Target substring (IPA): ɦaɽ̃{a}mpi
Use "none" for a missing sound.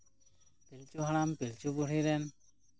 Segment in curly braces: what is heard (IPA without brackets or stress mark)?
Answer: a